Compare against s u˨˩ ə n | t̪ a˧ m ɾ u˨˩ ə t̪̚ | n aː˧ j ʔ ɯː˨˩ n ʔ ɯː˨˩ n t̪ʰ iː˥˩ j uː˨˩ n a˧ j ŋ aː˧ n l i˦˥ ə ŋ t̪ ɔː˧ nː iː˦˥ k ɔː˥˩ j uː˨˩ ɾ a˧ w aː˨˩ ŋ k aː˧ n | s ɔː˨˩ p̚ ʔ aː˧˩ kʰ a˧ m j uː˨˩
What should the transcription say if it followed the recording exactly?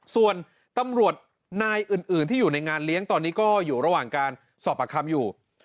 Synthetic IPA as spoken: s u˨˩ ə n | t̪ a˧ m ɾ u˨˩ ə t̪̚ | n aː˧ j ʔ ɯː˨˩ n ʔ ɯː˨˩ n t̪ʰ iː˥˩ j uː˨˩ n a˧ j ŋ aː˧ n l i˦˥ ə ŋ t̪ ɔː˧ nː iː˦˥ k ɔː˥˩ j uː˨˩ ɾ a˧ w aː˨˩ ŋ k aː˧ n | s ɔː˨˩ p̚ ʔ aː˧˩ kʰ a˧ m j uː˨˩